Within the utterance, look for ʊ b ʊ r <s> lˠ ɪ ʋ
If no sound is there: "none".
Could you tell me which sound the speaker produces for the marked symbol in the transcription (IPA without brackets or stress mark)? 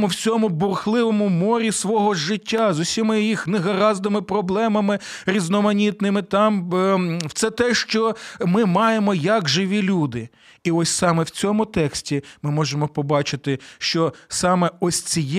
x